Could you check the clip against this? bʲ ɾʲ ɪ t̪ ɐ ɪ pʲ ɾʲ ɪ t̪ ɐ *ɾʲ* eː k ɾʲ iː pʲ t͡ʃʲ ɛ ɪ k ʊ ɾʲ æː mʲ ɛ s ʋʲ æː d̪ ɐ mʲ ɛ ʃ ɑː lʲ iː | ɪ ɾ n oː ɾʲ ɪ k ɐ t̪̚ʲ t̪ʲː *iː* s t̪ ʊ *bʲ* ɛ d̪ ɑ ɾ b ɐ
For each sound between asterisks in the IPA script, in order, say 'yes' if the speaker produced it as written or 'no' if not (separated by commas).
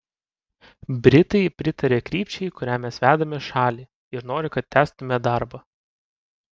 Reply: yes, no, no